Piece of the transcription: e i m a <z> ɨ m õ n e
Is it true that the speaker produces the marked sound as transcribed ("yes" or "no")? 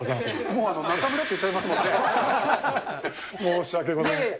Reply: no